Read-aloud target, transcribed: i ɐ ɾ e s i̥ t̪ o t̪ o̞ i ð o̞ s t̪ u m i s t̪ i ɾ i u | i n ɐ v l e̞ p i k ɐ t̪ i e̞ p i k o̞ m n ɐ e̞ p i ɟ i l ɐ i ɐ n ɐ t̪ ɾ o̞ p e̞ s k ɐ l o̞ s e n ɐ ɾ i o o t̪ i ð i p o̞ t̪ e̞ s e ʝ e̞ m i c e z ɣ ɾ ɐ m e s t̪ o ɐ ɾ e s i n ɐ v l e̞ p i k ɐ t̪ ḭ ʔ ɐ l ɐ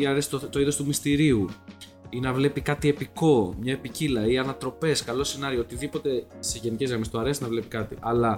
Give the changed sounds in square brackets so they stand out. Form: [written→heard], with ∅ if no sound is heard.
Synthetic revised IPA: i ɐ ɾ e s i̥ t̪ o t̪ o̞ i ð o̞ s t̪ u m i s t̪ i ɾ i u | i n ɐ v l e̞ p i k ɐ t̪ i e̞ p i k o̞ m [n→ɲ] ɐ e̞ p i [ɟ→c] i l ɐ i ɐ n ɐ t̪ ɾ o̞ p e̞ s k ɐ l o̞ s e n ɐ ɾ i o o t̪ i ð i p o̞ t̪ e̞ s e ʝ e̞ [m→n] i c e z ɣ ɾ ɐ m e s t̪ o ɐ ɾ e s i n ɐ v l e̞ p i k ɐ t̪ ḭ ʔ ɐ l ɐ